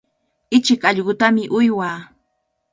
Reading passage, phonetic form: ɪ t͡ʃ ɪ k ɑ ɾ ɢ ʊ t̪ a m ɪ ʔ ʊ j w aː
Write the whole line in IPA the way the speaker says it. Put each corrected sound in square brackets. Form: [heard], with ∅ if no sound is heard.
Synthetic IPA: ɪ t͡ʃ ɪ k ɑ [ʎ] ɢ ʊ t̪ a m ɪ ʔ ʊ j w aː